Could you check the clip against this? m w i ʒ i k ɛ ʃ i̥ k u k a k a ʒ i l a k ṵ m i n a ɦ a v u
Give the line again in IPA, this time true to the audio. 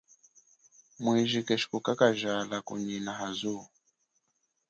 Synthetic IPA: m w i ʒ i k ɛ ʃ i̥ k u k a k a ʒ a l a k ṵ ɲ i n a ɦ a z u